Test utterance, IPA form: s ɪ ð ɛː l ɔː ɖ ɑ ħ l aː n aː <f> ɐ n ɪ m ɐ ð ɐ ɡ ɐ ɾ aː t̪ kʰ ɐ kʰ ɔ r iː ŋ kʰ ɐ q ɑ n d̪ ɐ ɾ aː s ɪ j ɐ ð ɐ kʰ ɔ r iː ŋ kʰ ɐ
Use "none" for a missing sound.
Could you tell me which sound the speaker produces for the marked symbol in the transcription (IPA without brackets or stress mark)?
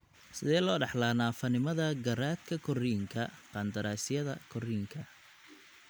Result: f